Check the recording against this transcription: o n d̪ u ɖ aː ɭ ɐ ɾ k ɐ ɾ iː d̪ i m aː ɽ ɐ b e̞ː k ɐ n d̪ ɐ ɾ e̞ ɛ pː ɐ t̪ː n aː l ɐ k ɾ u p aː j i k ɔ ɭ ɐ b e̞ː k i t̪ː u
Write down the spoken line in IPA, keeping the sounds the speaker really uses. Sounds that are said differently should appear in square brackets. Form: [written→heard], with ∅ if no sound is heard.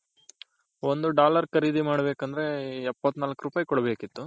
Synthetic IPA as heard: o n d̪ u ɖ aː [ɭ→l] ɐ ɾ k ɐ ɾ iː d̪ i m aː ɽ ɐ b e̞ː k ɐ n d̪ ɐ ɾ e̞ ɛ pː ɐ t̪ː n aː l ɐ k ɾ u p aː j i k ɔ [ɭ→ɽ] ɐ b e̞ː k i t̪ː u